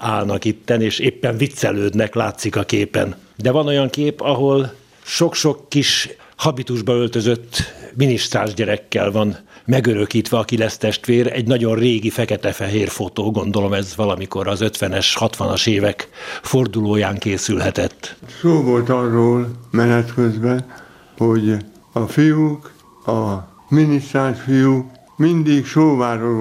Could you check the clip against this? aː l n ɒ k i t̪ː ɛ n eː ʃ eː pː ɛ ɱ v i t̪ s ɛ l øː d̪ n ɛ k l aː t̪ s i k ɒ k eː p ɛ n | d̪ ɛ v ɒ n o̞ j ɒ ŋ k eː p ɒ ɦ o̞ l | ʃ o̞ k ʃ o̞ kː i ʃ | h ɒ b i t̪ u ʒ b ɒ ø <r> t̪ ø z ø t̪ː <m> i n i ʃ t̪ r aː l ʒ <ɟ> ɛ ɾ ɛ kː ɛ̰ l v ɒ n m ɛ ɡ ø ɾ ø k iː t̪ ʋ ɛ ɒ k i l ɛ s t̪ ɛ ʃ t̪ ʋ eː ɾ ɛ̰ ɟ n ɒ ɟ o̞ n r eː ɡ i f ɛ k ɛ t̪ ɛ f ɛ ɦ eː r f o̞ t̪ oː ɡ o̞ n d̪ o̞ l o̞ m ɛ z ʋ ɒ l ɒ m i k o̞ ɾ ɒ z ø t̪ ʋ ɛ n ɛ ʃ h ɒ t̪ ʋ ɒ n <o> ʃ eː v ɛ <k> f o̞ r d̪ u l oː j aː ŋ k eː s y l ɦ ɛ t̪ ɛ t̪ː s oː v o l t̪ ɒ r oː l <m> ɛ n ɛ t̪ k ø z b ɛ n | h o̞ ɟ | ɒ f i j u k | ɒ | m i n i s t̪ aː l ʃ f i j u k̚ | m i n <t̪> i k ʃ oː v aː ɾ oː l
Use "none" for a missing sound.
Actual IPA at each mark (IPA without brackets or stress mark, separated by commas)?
l, m, ɟ, ɒ, k, m, d̪